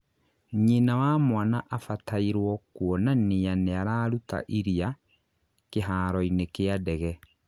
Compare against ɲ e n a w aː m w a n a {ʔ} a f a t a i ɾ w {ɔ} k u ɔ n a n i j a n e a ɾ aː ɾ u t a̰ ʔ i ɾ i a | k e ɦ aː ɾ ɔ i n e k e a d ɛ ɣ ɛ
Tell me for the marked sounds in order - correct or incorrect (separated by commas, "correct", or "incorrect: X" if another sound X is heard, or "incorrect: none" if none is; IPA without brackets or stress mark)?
correct, correct